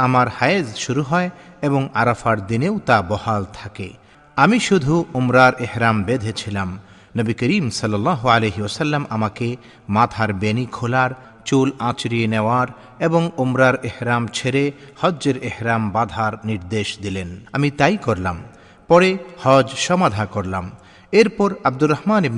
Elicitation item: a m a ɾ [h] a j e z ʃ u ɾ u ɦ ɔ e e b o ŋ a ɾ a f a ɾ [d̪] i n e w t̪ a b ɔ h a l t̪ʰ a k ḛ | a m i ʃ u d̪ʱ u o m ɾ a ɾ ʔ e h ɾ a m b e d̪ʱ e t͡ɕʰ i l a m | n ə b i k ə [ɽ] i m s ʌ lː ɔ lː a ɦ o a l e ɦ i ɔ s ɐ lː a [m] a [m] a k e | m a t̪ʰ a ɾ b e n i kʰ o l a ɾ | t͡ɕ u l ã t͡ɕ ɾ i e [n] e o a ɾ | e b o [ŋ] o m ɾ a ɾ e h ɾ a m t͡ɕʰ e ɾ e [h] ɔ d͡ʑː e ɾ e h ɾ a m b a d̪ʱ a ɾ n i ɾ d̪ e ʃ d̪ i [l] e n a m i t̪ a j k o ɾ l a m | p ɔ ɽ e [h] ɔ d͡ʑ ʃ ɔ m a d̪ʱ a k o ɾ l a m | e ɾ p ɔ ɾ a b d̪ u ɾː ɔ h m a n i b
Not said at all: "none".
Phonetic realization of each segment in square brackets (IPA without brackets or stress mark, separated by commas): h, d̪, ɾ, m, m, n, ŋ, h, l, h